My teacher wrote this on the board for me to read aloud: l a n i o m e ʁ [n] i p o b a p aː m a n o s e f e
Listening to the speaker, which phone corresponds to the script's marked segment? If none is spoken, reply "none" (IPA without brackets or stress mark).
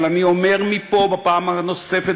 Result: m